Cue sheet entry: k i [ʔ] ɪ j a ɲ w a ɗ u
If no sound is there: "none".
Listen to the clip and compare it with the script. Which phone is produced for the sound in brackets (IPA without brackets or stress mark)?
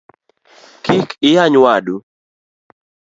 k